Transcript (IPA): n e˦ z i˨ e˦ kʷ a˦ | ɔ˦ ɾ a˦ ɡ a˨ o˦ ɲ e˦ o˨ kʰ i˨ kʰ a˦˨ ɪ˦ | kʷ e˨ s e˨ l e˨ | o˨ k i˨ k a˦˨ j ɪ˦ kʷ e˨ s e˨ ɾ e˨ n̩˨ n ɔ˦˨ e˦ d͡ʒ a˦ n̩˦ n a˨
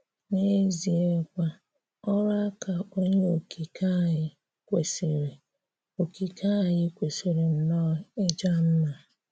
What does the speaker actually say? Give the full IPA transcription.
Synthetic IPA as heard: n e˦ z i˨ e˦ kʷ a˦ | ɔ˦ ɾ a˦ k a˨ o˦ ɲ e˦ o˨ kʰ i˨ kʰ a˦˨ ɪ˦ | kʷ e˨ s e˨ ɾ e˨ | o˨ k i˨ k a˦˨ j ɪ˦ kʷ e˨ s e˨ ɾ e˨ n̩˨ n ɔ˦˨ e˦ d͡ʒ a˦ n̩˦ n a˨

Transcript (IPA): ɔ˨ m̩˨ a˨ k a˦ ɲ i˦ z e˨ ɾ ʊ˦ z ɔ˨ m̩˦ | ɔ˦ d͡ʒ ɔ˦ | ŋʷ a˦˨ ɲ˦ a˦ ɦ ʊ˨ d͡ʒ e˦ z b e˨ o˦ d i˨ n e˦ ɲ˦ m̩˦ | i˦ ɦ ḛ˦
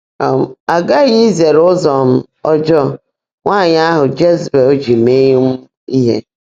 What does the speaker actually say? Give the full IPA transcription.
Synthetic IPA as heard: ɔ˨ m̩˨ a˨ ɡ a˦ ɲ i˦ z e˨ ɾ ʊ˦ z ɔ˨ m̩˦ | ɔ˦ d͡ʒ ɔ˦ | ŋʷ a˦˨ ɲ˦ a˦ ɦ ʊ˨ d͡ʒ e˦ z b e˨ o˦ d͡ʒ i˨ m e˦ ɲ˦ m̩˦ | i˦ ɦ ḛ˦

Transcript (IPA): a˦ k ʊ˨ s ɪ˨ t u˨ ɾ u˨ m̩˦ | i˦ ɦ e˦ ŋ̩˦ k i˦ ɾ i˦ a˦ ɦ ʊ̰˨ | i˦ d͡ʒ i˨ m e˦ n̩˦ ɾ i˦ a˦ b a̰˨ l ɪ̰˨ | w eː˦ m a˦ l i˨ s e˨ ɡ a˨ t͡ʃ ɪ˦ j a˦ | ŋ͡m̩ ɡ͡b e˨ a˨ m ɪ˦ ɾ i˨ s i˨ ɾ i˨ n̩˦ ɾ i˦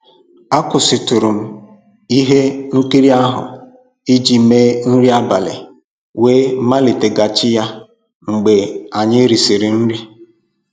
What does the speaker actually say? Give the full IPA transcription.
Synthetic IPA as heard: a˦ k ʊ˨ s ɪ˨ t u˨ ɾ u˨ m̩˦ | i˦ ɦ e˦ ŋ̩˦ k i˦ ɾ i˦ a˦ ɦ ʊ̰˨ | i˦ d͡ʒ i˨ m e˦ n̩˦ ɾ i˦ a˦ b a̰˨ l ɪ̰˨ | w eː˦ m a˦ l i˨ t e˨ ɡ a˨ t͡ʃ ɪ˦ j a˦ | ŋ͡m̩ ɡ͡b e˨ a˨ ɲ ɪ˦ ɾ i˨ s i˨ ɾ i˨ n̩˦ ɾ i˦

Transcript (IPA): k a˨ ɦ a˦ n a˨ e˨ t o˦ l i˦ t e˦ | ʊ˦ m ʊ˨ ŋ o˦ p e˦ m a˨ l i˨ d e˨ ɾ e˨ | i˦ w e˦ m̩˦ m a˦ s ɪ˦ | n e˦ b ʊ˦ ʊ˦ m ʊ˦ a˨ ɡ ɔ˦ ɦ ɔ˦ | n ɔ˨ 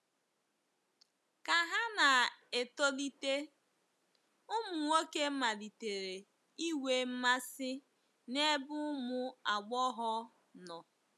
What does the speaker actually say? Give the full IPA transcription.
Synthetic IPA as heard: k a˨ ɦ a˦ n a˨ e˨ t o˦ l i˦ t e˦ | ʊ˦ m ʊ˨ ŋ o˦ k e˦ m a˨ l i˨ t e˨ ɾ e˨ | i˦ w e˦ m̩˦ m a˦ s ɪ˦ | n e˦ b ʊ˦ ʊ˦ m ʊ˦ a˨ ɡ͡b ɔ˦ ɦ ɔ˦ | n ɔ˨

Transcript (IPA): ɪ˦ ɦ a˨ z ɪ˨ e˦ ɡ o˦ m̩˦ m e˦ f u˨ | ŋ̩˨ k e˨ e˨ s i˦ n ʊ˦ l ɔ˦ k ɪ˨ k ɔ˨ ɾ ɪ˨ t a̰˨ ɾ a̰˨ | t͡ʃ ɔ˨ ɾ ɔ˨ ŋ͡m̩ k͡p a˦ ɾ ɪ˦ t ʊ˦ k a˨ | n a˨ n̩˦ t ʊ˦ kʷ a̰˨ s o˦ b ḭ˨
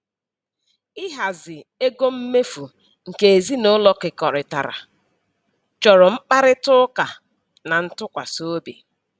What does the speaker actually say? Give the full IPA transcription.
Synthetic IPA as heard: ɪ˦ ɦ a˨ z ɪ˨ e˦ ɡ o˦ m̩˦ m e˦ f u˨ | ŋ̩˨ k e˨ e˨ z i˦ n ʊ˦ l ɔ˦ k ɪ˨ k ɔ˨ ɾ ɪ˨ t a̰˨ ɾ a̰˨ | t͡ʃ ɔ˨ ɾ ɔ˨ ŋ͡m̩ k͡p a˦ ɾ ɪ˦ t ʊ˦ k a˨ | n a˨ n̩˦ t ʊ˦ kʷ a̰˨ s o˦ b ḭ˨

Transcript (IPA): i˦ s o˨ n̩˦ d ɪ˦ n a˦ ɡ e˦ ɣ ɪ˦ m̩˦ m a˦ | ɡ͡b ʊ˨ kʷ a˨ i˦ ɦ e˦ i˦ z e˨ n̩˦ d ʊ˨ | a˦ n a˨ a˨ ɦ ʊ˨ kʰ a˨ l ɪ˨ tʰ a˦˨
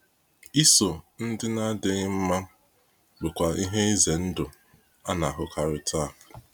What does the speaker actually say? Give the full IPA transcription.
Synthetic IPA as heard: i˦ s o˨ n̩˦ d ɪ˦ n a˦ d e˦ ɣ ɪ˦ m̩˦ m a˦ | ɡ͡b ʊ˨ kʷ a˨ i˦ ɦ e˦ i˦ z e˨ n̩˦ d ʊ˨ | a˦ n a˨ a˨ ɦ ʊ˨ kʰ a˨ ɾ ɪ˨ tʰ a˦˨

